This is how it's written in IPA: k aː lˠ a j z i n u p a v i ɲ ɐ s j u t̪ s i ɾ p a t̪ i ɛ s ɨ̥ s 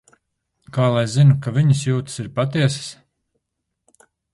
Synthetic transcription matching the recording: k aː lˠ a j z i n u k a v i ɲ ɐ s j uː t̪ s i ɾ p a t̪ i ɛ s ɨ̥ s